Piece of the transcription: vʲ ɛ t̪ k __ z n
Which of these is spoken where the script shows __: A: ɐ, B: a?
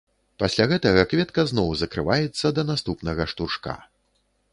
A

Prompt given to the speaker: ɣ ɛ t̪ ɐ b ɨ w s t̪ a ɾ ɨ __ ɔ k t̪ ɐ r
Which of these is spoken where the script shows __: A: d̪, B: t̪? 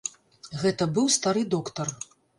A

